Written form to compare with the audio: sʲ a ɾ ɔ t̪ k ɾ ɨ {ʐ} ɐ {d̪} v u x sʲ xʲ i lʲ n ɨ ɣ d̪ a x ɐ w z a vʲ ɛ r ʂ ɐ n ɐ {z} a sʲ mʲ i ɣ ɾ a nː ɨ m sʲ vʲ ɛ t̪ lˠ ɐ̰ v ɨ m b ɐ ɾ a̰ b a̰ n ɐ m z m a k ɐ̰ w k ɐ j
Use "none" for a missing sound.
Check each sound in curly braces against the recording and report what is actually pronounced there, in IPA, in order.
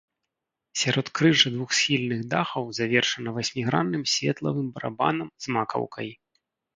ʐ, d̪, v

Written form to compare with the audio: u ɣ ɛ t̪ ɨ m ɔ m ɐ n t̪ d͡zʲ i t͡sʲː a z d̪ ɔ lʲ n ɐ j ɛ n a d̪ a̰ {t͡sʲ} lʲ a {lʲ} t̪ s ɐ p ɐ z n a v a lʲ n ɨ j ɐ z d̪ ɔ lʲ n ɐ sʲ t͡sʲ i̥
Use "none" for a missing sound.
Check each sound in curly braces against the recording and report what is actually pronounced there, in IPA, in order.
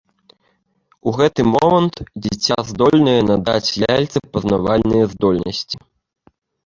t͡sʲ, lʲ

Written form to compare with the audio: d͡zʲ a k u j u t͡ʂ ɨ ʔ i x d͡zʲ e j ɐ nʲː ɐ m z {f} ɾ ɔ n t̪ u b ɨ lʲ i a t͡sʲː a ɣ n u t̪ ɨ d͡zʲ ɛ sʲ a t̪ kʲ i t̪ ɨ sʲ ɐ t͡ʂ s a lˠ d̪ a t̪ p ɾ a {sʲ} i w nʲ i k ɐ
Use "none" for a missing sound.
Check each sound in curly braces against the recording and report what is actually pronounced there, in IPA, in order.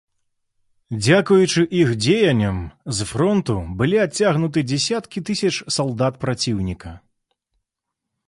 f, t͡sʲ

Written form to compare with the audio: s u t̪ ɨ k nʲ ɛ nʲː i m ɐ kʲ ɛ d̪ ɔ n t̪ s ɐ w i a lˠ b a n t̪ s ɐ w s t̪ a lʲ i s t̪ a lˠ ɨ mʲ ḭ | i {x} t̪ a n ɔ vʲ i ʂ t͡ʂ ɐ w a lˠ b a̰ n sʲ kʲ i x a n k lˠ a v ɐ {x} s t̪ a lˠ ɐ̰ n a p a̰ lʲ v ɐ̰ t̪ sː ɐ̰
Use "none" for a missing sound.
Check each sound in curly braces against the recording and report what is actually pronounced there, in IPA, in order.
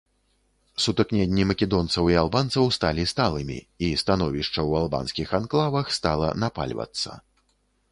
s, x

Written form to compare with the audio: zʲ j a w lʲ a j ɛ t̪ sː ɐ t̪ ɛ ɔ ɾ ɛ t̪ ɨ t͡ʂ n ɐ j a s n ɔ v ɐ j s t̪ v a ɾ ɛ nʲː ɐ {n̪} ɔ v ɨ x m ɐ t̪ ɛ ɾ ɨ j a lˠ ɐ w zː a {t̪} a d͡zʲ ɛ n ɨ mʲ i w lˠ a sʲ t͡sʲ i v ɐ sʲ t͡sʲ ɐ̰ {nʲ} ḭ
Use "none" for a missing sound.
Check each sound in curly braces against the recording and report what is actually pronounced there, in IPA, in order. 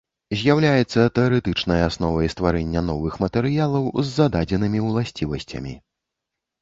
n̪, d̪, mʲ

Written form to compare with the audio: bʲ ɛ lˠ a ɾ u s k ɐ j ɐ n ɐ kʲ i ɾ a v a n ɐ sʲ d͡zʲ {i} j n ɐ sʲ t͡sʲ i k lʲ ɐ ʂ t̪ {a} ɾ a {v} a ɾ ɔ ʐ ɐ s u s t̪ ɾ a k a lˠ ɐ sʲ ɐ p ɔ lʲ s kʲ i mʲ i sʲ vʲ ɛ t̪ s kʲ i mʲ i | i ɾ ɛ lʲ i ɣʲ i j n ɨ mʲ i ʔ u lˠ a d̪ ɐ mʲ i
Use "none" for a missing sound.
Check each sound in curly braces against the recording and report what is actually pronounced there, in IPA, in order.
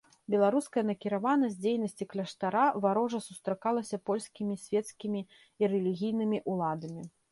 e, a, v

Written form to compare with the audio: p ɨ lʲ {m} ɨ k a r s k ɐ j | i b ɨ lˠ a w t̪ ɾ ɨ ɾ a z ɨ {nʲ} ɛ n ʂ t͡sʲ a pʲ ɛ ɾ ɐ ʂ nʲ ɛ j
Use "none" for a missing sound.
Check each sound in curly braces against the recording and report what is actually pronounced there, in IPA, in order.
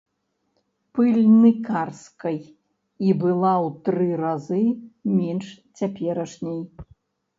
n, mʲ

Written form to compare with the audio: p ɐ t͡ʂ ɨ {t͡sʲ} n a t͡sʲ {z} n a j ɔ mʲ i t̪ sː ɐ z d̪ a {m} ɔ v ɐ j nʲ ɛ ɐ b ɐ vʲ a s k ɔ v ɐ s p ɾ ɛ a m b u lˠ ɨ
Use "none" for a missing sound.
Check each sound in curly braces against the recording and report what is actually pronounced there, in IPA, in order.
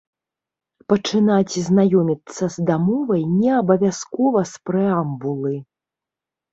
none, z, m

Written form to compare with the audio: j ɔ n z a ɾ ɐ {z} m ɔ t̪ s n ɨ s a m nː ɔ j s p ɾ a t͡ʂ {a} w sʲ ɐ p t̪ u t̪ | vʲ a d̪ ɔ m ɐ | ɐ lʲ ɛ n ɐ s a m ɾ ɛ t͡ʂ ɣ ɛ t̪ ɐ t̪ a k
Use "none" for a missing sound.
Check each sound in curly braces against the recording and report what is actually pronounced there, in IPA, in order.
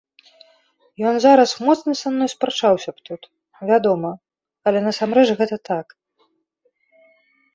s, a

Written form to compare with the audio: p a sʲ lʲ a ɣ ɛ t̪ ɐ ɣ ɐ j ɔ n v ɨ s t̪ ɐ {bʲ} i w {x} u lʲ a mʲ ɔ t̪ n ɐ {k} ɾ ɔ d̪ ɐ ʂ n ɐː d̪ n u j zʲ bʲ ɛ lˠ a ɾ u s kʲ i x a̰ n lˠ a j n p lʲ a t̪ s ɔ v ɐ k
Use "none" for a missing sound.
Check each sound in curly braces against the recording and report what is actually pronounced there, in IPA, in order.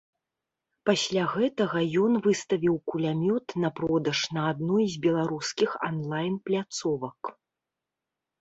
vʲ, k, p

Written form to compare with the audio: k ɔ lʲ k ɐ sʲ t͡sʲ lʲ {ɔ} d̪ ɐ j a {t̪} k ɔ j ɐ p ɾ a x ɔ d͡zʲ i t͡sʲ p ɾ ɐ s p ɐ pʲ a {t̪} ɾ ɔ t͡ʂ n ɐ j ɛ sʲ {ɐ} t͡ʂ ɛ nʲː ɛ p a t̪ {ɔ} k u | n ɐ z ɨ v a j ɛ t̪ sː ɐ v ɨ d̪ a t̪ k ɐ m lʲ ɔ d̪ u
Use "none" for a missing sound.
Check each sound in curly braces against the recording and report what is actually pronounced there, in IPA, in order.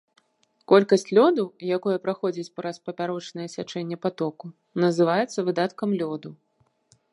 ɔ, none, none, a, ɔ

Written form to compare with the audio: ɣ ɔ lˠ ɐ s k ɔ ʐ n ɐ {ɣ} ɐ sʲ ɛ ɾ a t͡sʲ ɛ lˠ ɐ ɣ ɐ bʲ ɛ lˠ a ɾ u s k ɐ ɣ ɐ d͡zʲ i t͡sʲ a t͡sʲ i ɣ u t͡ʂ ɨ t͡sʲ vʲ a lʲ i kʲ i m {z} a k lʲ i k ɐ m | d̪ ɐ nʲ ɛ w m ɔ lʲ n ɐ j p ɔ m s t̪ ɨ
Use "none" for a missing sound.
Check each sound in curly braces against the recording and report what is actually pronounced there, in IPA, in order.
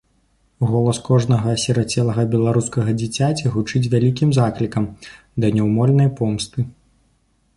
ɣ, z

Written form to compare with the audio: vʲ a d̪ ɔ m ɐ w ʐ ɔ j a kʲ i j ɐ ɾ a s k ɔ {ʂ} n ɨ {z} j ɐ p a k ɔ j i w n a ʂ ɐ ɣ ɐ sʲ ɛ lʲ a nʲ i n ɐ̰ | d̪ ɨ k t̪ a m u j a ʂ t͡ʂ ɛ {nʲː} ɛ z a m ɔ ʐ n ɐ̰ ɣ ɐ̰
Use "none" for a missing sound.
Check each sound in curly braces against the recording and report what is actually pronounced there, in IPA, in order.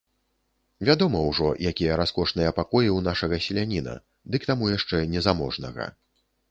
ʂ, none, nʲ

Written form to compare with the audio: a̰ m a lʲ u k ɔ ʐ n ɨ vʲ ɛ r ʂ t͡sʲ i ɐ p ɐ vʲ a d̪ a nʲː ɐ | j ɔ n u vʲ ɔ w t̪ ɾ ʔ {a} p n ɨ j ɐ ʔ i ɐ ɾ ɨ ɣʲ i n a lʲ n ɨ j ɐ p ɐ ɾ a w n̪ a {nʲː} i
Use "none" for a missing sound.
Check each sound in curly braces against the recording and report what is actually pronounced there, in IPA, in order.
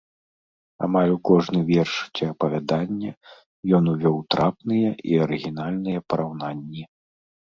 a, nʲː

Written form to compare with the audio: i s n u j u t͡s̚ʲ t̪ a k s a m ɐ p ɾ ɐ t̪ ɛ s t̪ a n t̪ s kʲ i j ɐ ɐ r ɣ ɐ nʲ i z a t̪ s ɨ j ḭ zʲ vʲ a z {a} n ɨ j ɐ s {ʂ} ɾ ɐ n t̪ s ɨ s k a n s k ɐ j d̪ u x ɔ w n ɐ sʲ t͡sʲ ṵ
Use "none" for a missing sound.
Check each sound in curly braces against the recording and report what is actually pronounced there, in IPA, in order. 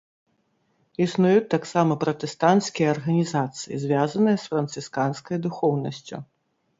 ɐ, f

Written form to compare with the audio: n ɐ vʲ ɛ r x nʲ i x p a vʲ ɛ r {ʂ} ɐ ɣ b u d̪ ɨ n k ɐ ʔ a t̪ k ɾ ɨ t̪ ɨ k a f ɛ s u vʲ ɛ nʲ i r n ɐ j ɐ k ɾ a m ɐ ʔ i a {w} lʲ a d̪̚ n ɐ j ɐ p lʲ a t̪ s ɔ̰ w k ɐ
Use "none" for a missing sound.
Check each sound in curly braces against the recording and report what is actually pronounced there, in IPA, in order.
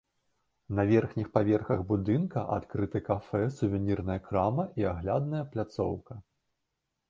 x, ɣ

